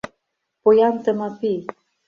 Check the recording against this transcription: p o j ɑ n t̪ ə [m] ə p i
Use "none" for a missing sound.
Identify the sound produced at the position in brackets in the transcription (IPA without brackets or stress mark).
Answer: m